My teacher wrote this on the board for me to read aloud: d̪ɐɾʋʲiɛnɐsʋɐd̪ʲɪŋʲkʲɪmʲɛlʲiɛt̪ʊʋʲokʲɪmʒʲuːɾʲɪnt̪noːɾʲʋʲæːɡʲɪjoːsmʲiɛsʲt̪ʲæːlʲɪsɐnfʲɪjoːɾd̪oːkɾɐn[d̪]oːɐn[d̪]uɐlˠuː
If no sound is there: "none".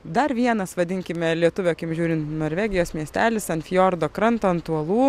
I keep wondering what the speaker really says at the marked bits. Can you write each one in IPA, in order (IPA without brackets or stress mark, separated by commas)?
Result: t̪, t̪